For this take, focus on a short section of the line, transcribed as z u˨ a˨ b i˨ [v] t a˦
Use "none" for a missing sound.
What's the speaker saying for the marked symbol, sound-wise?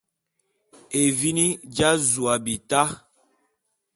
none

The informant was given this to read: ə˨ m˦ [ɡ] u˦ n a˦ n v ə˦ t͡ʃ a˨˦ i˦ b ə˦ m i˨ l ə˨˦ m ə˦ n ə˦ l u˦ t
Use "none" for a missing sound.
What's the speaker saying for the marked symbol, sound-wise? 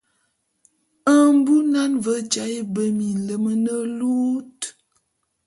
b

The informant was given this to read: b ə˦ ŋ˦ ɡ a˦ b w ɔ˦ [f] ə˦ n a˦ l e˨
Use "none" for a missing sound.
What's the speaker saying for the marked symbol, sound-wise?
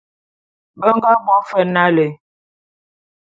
f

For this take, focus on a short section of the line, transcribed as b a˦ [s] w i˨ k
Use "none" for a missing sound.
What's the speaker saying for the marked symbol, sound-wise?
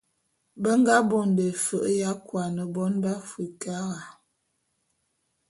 f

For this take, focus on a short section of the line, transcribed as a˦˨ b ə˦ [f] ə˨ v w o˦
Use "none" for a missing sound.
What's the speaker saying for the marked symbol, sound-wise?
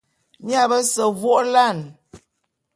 s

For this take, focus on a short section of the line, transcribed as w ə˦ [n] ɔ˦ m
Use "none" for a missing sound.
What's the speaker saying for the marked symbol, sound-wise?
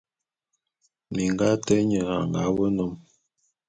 n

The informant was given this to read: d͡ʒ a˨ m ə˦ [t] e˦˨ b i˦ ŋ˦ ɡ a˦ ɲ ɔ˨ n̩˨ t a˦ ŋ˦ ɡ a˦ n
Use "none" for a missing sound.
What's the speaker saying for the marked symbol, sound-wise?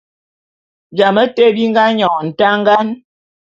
t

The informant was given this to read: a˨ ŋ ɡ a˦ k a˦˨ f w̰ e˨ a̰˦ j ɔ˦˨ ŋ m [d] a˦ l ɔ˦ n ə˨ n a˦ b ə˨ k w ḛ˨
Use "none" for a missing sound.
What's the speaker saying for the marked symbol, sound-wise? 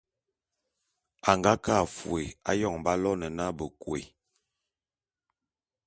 b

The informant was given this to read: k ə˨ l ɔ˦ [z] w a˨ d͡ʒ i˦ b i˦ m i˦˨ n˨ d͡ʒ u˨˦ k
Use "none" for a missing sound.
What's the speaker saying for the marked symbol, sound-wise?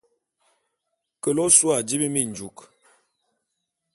s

